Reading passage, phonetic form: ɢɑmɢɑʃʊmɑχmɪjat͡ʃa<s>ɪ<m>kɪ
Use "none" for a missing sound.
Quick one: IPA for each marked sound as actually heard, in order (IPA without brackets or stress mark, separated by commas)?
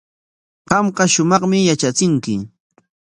t͡s, ŋ